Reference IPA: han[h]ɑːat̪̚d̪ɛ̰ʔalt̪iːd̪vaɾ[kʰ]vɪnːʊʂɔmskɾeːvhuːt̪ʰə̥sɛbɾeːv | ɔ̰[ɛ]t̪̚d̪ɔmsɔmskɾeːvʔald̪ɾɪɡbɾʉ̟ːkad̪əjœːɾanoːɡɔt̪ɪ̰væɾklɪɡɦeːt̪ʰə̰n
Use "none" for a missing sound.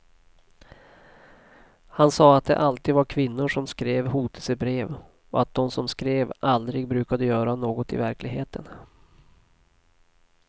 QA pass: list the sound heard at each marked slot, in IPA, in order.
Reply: s, kʰ, a

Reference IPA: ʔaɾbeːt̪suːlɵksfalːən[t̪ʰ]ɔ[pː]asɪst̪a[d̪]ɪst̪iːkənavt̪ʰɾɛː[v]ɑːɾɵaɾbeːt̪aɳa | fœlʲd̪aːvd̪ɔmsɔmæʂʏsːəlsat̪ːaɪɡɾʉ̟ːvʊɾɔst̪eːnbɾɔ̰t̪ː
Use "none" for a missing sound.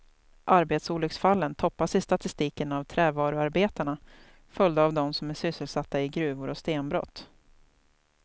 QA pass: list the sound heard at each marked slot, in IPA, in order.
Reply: t̪ʰ, pː, t̪, v

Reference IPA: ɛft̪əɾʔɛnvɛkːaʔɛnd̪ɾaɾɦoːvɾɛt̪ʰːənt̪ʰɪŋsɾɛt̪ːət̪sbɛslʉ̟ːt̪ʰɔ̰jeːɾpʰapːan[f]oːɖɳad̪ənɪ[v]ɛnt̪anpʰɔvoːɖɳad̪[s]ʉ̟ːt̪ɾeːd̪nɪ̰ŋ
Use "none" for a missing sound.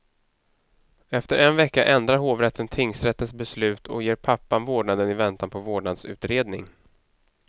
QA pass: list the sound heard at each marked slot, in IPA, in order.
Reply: v, v, s

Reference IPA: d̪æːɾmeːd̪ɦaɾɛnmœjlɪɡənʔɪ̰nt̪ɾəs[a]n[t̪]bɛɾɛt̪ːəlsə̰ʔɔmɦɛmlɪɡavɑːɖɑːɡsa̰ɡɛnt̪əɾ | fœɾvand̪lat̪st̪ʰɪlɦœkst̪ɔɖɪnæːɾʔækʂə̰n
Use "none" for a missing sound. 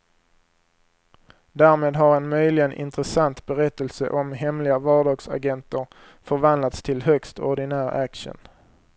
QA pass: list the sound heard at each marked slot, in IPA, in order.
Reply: a, t̪

